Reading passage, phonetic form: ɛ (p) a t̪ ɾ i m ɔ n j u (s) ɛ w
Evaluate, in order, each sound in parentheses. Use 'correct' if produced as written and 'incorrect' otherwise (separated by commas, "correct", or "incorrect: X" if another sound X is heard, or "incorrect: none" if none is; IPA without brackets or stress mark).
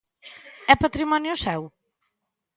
correct, correct